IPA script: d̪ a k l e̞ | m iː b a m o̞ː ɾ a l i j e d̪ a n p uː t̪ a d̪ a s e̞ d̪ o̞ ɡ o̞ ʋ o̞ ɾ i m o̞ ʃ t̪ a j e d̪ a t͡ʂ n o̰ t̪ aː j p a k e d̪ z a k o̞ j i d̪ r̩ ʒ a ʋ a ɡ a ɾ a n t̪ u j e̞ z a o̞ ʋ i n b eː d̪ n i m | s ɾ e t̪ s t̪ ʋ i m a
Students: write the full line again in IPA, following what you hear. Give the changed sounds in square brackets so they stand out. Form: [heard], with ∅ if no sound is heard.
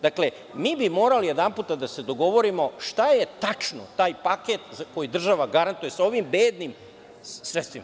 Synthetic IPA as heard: d̪ a k l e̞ | m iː b [i] m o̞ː ɾ a l i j e d̪ a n p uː t̪ a d̪ a s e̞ d̪ o̞ ɡ o̞ ʋ o̞ ɾ i m o̞ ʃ t̪ a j e [t̪] a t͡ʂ n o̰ t̪ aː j p a k e [t̪] z a k o̞ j i d̪ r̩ ʒ a ʋ a ɡ a ɾ a n t̪ u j e̞ [s] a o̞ ʋ i [m] b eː d̪ n i m | s ɾ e t̪ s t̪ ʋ i m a